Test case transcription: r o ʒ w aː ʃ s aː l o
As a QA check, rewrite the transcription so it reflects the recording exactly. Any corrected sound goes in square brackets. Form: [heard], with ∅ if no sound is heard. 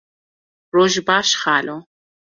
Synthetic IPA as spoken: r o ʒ [b] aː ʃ [χ] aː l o